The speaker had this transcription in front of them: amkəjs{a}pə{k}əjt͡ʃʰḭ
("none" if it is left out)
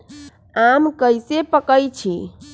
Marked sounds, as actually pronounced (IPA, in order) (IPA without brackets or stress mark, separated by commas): e, k